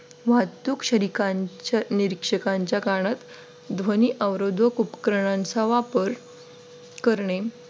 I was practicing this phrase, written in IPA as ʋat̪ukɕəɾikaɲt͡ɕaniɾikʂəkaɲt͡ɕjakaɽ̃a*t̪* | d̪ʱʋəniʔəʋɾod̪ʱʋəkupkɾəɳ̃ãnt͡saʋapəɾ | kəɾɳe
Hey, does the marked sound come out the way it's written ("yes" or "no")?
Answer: yes